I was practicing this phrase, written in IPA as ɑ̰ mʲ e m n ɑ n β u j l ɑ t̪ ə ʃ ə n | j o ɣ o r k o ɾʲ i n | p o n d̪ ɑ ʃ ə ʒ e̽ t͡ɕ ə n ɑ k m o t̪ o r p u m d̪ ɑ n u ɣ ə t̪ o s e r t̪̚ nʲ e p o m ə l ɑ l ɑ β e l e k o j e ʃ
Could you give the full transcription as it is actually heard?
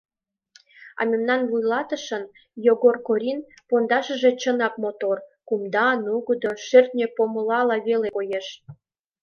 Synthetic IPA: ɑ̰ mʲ e m n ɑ n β u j l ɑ t̪ ə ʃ ə n | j o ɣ o r k o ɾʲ i n | p o n d̪ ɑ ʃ ə ʒ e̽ t͡ɕ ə n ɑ k m o t̪ o r k u m d̪ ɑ n u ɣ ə d̪ o ʃ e r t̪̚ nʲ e p o m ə l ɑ l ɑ β e l e k o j e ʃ